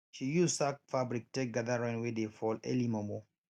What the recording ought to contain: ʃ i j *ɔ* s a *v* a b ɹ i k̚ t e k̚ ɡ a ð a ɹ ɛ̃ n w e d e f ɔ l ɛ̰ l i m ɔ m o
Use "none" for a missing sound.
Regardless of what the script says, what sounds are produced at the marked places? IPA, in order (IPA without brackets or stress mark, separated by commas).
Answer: u, f